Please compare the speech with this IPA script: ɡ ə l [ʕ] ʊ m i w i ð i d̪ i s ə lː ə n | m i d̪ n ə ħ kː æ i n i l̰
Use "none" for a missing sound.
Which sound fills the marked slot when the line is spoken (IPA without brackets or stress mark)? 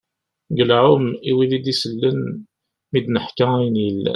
ʕ